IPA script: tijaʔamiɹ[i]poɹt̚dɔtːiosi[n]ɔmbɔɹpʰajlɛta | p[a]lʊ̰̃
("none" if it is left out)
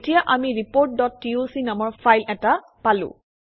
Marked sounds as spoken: i, n, a

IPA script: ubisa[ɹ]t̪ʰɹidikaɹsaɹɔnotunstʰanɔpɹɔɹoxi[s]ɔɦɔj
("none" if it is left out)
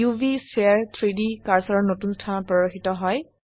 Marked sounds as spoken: ɹ, t

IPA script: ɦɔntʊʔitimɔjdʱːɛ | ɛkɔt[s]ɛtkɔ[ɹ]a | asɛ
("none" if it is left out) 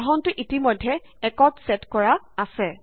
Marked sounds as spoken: s, ɹ

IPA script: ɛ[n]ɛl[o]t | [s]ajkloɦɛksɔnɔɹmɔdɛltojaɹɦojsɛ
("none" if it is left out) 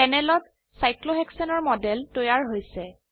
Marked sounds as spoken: n, ɔ, s

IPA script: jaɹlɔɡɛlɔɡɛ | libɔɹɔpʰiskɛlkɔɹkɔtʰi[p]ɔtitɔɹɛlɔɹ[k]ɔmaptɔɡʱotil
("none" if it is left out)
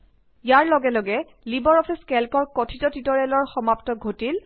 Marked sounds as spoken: t, x

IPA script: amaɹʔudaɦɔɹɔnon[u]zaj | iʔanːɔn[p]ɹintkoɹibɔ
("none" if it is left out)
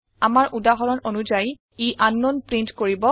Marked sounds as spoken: u, p

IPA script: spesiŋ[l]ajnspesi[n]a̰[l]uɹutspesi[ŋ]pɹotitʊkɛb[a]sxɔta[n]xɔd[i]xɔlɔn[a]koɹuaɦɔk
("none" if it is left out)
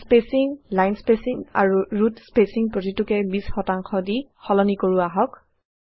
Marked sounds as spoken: l, ŋ, ɹ, ŋ, i, ŋ, i, i

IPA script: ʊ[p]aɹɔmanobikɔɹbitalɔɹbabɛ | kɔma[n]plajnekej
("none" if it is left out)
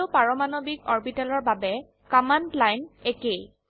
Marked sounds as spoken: p, n

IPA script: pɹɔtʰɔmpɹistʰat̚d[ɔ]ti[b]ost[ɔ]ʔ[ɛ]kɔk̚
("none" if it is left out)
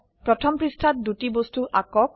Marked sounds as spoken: u, b, u, a

